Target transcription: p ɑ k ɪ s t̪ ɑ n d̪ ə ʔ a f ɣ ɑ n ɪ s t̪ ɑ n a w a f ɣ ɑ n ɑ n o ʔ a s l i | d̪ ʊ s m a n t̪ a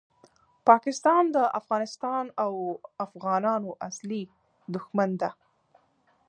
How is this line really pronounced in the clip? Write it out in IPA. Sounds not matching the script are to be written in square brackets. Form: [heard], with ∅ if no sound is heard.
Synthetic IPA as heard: p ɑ k ɪ s t̪ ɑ n d̪ ə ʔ a f ɣ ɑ n ɪ s t̪ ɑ n a w a f ɣ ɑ n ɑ n o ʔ a s l i | d̪ ʊ [x] m a n [d̪] a